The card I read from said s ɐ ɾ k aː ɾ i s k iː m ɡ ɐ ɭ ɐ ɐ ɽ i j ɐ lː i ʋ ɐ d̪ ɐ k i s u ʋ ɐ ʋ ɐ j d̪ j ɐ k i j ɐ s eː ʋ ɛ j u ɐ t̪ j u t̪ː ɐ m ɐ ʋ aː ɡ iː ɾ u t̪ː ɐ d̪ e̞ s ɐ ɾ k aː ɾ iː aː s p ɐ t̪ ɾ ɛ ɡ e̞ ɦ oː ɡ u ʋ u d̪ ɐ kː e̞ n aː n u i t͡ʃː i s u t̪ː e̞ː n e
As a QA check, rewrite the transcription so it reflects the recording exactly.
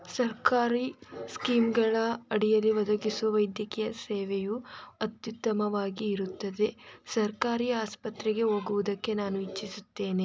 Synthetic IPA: s ɐ ɾ k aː ɾ i s k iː m ɡ ɐ ɭ ɐ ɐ ɽ i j ɐ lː i ʋ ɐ d̪ ɐ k i s u ʋ ɐ ʋ ɐ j d̪ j ɐ k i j ɐ s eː ʋ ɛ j u ɐ t̪ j u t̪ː ɐ m ɐ ʋ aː ɡ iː ɾ u t̪ː ɐ d̪ e̞ s ɐ ɾ k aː ɾ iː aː s p ɐ t̪ ɾ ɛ ɡ e̞ ɦ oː ɡ u ʋ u d̪ ɐ kː e̞ n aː n u i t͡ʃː i s u t̪ː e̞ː n e